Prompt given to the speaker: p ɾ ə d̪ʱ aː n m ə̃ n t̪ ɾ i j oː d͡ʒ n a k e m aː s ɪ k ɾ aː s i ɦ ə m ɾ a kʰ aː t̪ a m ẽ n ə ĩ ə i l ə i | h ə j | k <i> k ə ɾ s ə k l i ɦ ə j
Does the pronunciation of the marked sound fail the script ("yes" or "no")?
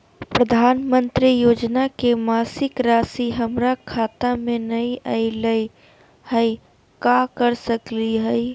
yes